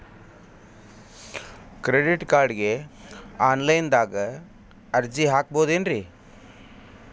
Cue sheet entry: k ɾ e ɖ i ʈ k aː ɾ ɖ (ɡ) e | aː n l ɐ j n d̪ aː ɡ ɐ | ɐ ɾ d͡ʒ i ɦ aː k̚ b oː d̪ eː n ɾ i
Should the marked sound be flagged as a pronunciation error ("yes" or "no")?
no